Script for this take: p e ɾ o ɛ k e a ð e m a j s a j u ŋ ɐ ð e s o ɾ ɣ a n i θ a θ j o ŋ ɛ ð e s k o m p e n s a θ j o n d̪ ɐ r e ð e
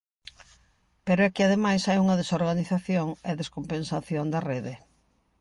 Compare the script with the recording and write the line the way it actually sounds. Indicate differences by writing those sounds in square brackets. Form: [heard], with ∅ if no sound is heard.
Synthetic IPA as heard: p e ɾ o ɛ k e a ð e m a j s a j u ŋ ɐ ð e s o ɾ ɣ a n i θ a θ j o ŋ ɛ ð e s k o m p e n s a θ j o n d̪ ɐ r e ð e

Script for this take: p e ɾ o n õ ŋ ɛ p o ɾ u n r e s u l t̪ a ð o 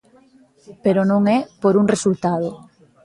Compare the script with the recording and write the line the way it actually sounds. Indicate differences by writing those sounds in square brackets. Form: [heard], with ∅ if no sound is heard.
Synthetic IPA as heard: p e ɾ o n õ ŋ ɛ p o ɾ u [ŋ] r e s u l t̪ a ð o

